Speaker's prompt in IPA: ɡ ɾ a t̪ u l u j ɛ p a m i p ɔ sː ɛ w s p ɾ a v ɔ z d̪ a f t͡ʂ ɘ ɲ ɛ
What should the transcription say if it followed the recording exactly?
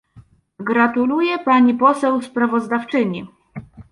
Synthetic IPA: ɡ ɾ a t̪ u l u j ɛ p a ɲ i p ɔ s ɛ w s p ɾ a v ɔ z d̪ a f t͡ʂ ɘ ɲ i

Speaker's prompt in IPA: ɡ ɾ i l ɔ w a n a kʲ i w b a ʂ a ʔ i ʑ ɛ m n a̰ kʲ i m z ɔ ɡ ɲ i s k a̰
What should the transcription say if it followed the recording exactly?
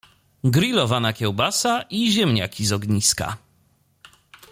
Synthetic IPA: ɡ ɾ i l ɔ v a n a kʲ ɛ w b a s a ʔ i ʑ ɛ m ɲ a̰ kʲ i z ɔ ɡ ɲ i s k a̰

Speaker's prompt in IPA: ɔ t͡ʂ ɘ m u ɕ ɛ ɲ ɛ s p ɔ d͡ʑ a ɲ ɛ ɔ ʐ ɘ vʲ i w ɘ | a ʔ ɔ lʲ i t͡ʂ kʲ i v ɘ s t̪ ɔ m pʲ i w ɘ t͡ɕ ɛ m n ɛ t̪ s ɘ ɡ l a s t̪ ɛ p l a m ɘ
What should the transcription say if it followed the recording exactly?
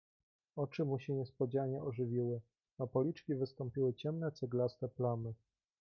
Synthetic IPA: ɔ t͡ʂ ɘ m u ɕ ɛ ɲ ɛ s p ɔ d͡ʑ a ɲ ɛ ɔ ʐ ɘ vʲ i w ɘ | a p ɔ lʲ i t͡ʂ kʲ i v ɘ s t̪ ɔ m pʲ i w ɘ t͡ɕ ɛ m n ɛ t̪ s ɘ ɡ l a s t̪ ɛ p l a m ɘ

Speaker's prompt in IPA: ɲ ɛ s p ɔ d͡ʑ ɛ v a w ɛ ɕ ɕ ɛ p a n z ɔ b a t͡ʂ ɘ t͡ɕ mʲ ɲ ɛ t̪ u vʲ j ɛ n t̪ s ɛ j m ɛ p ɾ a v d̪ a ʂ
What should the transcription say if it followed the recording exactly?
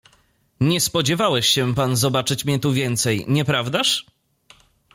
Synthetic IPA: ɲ ɛ s p ɔ d͡ʑ ɛ v a w ɛ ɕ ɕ ɛ p a n z ɔ b a t͡ʂ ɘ t͡ɕ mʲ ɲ ɛ t̪ u vʲ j ɛ n t̪ s ɛ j ɲ ɛ p ɾ a v d̪ a ʂ

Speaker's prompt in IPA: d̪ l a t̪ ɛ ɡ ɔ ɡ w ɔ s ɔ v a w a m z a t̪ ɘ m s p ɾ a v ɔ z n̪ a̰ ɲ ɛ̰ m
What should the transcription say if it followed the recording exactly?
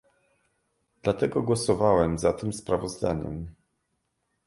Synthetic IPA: d̪ l a t̪ ɛ ɡ ɔ ɡ w ɔ s ɔ v a w ɛ m z a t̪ ɘ m s p ɾ a v ɔ z d̪ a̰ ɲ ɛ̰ m

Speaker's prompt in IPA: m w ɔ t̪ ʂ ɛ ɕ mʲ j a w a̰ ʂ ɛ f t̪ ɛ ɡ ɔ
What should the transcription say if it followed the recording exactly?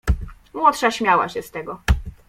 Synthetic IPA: m w ɔ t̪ ʂ a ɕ mʲ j a w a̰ ɕ ɛ s t̪ ɛ ɡ ɔ

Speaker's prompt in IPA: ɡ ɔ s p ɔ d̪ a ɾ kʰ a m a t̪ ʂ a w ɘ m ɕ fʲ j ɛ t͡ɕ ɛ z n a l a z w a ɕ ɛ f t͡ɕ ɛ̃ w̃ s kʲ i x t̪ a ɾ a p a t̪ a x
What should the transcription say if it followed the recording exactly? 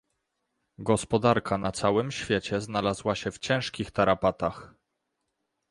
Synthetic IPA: ɡ ɔ s p ɔ d̪ a ɾ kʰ a n a t̪ s a w ɘ m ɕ fʲ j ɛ t͡ɕ ɛ z n a l a z w a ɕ ɛ f t͡ɕ ɛ̃ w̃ ʂ kʲ i x t̪ a ɾ a p a t̪ a x

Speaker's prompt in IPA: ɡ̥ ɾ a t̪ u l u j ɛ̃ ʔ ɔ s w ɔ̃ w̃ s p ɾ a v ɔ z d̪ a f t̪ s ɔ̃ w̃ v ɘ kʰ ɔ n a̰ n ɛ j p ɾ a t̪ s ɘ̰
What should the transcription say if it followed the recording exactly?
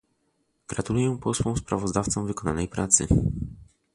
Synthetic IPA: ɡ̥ ɾ a t̪ u l u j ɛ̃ p ɔ s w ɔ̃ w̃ s p ɾ a v ɔ z d̪ a f t̪ s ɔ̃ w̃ v ɘ k ɔ n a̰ n ɛ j p ɾ a t̪ s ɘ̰

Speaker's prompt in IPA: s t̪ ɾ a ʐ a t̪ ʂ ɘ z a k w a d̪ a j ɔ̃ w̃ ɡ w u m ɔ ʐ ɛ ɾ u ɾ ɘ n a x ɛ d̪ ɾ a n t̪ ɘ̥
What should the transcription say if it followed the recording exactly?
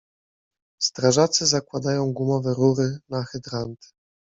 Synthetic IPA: s t̪ ɾ a ʐ a t̪ s ɘ z a k w a d̪ a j ɔ̃ w̃ ɡ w u m ɔ v ɛ ɾ u ɾ ɘ n a x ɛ d̪ ɾ a n t̪ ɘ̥

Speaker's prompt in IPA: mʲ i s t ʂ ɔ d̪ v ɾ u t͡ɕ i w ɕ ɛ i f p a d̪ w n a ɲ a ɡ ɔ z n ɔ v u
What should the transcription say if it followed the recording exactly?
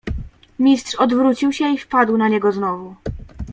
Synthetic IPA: mʲ i s t ʂ ɔ d̪ v ɾ u t͡ɕ i w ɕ ɛ i f p a d̪ w n a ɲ ɛ ɡ ɔ z n ɔ v u

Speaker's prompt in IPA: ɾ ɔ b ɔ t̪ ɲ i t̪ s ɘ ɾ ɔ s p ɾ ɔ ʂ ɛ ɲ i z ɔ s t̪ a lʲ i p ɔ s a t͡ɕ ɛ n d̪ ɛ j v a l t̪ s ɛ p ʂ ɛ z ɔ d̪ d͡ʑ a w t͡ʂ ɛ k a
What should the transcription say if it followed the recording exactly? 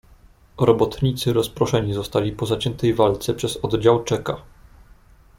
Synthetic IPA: ɾ ɔ b ɔ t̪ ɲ i t̪ s ɘ ɾ ɔ s p ɾ ɔ ʂ ɛ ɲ i z ɔ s t̪ a lʲ i p ɔ z a t͡ɕ ɛ n t̪ ɛ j v a l t̪ s ɛ p ʂ ɛ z ɔ d̪ d͡ʑ a w t͡ʂ ɛ k a

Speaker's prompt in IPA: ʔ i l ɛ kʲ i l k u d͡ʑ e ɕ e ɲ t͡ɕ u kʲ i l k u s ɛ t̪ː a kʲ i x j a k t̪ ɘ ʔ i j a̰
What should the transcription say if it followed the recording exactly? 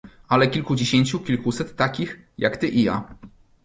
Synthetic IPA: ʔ a l ɛ kʲ i l k u d͡ʑ e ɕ e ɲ t͡ɕ u kʲ i l k u s ɛ t̪ː a kʲ i x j a k t̪ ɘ ʔ i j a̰

